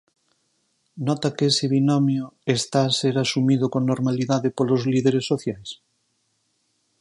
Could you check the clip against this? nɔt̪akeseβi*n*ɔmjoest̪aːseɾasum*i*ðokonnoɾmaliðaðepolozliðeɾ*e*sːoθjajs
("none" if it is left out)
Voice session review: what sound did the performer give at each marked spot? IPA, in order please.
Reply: n, i, e

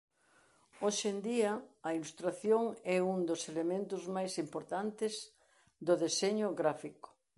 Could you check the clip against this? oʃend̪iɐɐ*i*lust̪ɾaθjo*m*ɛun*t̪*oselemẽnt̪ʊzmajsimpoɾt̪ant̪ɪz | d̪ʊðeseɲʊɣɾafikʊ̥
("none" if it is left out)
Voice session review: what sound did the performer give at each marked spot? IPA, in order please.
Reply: i, ŋ, d̪

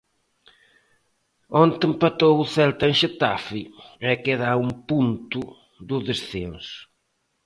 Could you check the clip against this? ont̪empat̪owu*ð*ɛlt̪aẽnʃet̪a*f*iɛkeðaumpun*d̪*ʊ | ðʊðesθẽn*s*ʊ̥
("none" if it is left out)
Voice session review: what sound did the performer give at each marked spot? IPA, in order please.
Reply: θ, f, t̪, s

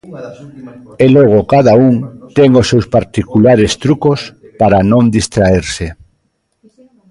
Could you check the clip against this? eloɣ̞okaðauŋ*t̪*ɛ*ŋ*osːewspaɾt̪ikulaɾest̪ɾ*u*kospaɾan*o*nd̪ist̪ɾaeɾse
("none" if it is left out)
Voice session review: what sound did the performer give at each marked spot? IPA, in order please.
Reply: t̪, ŋ, u, õ

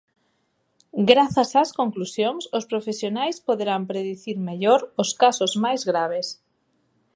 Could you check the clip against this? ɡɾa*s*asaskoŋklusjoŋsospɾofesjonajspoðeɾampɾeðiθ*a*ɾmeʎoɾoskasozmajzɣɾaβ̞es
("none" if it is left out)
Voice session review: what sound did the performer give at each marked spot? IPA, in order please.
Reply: θ, i

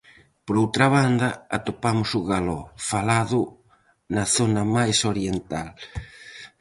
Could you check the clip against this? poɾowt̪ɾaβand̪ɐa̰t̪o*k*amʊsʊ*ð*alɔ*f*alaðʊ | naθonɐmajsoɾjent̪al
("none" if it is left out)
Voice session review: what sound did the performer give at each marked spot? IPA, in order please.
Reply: p, ɣ, f

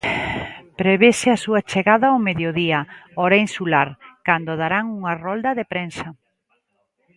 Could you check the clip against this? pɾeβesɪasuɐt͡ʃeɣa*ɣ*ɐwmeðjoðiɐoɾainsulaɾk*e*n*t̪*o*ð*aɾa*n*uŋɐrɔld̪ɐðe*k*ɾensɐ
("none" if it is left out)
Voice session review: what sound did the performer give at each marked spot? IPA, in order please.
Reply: ð, a, d̪, ð, ŋ, p

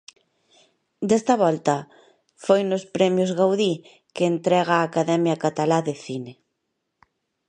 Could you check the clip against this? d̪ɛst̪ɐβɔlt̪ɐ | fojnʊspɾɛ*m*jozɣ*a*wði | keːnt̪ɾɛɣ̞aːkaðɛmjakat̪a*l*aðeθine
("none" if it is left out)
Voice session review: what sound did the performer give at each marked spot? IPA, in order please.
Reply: m, a, l

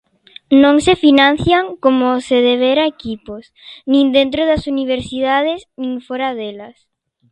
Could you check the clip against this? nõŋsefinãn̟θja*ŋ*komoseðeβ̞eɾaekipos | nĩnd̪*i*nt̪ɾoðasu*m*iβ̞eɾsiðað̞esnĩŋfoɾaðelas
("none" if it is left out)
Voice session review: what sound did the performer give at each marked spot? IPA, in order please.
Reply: ŋ, e, n

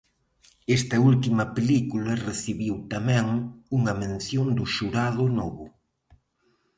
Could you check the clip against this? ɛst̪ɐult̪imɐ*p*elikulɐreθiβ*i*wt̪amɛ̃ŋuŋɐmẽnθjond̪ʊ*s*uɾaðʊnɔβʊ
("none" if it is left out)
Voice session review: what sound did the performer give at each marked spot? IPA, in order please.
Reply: p, i, ʃ

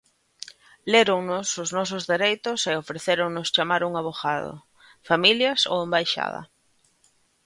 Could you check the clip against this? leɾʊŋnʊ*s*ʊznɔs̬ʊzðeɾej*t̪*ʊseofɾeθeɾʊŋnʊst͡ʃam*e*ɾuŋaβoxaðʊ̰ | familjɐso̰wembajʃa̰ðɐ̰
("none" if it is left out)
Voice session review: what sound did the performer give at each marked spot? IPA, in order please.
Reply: s, t̪, a

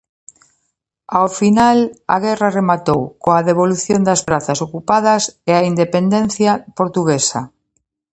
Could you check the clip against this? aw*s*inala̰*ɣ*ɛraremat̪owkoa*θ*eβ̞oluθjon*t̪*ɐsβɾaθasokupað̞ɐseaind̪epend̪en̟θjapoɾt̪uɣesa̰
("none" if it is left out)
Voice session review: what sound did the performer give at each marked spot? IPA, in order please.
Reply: f, ɣ, ð, d̪

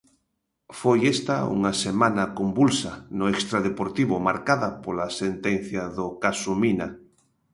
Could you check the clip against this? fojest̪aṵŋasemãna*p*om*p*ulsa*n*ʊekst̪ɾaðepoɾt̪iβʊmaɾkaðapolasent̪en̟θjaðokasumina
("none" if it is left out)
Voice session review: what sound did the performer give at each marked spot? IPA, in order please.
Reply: k, b, n

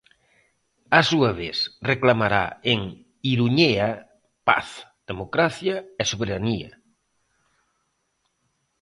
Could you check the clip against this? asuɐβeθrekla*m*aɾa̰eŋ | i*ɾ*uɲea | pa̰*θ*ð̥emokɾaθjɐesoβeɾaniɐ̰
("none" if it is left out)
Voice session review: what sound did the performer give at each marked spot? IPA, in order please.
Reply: m, ɾ, θ

